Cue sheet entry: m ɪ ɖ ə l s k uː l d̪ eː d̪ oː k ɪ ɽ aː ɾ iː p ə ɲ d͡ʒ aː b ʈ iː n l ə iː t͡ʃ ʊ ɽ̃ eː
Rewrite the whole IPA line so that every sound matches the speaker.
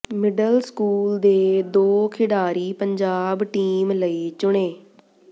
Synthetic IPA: m ɪ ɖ ə l s k uː l d̪ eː d̪ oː kʰ ɪ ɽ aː ɾ iː p ə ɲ d͡ʒ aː b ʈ iː m l ə iː t͡ʃ ʊ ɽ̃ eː